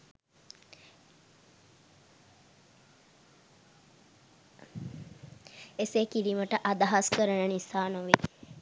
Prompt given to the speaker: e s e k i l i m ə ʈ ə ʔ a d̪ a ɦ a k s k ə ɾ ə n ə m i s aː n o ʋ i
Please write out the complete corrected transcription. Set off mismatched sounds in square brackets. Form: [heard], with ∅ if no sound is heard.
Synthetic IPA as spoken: e s e k i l i m ə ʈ ə ʔ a d̪ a ɦ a [∅] s k ə ɾ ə n ə [n] i s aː n o ʋ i